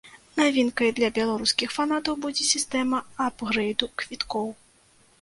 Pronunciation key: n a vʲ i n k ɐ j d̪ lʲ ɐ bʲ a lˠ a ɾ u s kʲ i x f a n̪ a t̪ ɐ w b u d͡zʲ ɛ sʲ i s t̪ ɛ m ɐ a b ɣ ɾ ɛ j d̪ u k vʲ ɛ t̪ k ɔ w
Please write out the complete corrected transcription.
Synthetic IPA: n a vʲ i n k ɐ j d̪ lʲ ɐ bʲ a lˠ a ɾ u s kʲ i x f a n̪ a t̪ ɐ w b u d͡zʲ ɛ sʲ i s t̪ ɛ m ɐ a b ɣ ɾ ɛ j d̪ u k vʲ i t̪ k ɔ w